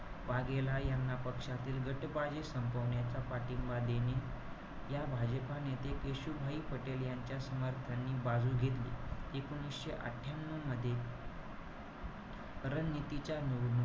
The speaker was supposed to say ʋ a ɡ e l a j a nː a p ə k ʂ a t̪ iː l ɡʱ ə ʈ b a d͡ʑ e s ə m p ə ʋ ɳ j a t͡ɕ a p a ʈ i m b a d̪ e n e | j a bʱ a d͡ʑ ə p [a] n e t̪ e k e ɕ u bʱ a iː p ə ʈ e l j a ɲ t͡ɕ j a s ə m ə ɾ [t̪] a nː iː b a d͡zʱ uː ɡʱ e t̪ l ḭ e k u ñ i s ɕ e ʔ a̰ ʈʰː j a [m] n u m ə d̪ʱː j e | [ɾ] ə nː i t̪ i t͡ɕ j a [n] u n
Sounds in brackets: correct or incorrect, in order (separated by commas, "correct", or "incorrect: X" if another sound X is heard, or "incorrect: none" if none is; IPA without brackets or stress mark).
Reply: correct, incorrect: t̪ʰ, correct, correct, correct